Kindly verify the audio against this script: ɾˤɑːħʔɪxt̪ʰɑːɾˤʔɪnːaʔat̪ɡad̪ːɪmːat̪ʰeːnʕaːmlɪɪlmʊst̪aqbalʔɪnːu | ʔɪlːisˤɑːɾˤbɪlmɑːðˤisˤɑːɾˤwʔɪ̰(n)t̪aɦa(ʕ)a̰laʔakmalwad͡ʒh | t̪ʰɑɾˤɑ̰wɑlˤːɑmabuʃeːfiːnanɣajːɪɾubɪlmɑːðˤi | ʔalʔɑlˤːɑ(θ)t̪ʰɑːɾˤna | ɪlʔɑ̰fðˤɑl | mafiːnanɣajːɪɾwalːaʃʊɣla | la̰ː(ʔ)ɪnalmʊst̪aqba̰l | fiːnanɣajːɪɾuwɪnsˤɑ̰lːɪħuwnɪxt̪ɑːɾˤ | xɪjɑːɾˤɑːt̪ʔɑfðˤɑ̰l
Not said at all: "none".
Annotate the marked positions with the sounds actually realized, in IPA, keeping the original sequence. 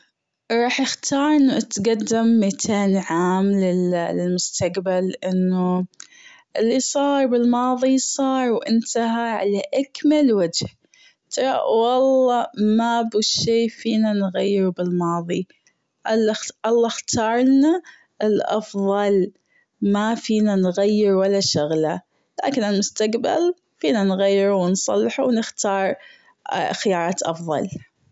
n, ʕ, x, k

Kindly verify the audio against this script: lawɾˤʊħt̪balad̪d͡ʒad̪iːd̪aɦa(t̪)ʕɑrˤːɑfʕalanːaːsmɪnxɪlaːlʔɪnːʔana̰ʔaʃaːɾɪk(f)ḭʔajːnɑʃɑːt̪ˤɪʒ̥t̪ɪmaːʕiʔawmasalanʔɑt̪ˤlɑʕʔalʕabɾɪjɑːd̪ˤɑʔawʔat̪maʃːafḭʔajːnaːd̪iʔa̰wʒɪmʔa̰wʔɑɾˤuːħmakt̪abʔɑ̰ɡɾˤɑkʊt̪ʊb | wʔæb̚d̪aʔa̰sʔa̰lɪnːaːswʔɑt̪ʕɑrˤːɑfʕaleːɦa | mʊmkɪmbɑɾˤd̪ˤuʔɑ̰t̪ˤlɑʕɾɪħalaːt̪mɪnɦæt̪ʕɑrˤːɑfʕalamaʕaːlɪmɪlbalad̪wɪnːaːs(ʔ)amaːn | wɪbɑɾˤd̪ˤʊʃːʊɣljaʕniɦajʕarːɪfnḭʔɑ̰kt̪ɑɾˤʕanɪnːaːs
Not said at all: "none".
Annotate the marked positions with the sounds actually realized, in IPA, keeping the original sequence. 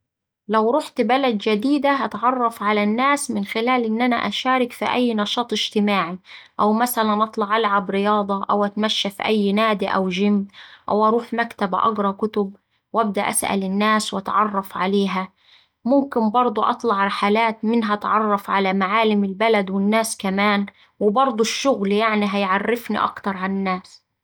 t̪, f, k

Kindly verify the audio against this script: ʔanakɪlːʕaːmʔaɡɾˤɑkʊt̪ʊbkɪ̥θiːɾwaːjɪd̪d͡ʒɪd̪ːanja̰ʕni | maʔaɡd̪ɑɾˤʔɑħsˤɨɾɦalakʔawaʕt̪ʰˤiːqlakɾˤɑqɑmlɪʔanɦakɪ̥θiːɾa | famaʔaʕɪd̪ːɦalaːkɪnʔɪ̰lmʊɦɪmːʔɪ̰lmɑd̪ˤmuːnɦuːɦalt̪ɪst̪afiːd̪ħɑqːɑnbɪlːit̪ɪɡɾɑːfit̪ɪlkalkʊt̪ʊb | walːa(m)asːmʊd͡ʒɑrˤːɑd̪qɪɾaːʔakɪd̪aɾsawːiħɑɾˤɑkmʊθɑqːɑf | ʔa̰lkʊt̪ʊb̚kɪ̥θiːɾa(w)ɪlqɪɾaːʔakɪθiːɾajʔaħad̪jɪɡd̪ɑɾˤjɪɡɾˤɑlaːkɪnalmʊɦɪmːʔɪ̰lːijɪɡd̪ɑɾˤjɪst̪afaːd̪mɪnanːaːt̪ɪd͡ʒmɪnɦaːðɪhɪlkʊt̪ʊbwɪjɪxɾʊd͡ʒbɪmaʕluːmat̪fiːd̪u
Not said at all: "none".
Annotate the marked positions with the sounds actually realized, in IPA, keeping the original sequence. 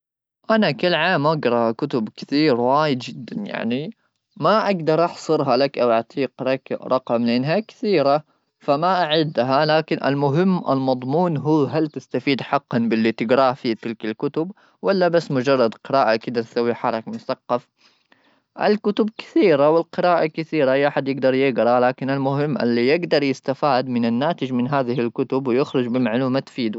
b, w

